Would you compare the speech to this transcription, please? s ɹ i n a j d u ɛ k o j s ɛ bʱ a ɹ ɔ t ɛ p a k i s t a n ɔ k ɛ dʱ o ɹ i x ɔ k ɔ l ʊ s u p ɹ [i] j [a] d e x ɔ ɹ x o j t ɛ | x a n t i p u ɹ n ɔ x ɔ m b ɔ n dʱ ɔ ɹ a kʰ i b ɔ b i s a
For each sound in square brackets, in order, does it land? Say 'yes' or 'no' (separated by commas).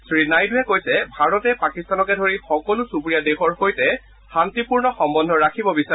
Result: yes, yes